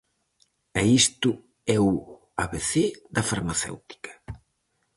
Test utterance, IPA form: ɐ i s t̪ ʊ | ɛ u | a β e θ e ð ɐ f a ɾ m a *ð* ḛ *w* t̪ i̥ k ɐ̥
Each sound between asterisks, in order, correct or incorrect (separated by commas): incorrect, correct